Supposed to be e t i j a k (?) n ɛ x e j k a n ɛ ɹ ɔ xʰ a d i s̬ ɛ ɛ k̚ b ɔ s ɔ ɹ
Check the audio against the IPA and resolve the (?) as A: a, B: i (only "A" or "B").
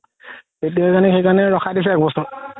A